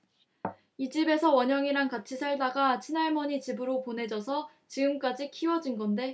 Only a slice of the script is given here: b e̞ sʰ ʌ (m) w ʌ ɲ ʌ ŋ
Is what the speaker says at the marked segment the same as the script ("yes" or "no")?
no